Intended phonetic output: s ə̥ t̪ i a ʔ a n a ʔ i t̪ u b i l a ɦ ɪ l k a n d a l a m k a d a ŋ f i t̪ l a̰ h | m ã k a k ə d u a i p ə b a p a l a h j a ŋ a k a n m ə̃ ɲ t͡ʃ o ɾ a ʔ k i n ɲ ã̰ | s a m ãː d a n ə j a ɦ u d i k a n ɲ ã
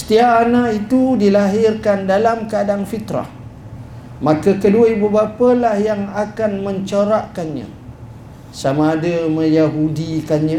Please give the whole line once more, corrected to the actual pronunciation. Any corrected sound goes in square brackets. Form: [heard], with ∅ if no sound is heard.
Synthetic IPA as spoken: s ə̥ t̪ i a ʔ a n a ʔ i t̪ u [d] i l a ɦ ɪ [r] k a n d a l a m k a d a ŋ f i t̪ [ɾ] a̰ h | m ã k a k ə d u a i [b] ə b a p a l a h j a ŋ a k a n m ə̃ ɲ t͡ʃ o ɾ a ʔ k [a] n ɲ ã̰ | s a m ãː d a [m] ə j a ɦ u d i k a n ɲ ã